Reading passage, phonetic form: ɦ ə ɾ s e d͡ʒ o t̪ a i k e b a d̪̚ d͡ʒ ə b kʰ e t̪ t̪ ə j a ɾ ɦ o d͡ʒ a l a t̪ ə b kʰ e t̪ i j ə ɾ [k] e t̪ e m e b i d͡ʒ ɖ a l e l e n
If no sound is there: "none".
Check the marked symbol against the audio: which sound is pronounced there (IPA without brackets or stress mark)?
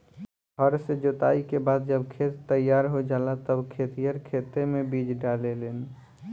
kʰ